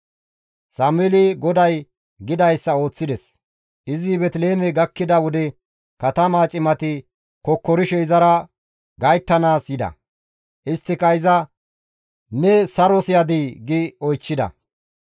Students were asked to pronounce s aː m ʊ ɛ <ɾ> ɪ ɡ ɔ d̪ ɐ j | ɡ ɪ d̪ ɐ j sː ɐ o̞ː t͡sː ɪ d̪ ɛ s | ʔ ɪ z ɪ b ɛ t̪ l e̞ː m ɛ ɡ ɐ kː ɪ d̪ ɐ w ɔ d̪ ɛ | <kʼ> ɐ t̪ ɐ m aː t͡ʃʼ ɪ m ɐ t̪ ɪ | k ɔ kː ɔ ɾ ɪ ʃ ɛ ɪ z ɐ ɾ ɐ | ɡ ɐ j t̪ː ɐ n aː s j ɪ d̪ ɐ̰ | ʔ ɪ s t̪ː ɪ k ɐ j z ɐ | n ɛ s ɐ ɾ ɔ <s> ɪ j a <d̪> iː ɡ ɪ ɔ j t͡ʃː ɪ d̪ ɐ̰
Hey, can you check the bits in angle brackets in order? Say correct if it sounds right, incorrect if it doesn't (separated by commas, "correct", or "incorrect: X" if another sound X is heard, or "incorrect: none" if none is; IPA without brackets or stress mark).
incorrect: l, incorrect: k, correct, correct